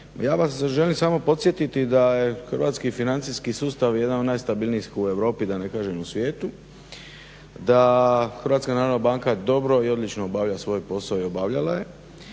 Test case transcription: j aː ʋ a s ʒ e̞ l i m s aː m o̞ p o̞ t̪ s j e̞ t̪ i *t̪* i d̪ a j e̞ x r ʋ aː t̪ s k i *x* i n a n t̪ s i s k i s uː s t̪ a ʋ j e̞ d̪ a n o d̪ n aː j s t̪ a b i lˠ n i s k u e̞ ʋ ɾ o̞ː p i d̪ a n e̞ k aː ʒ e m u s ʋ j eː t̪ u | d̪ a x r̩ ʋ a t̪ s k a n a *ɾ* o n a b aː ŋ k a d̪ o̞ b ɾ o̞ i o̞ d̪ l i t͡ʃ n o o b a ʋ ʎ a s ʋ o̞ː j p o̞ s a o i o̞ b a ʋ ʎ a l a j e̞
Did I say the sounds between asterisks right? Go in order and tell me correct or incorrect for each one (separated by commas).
correct, incorrect, correct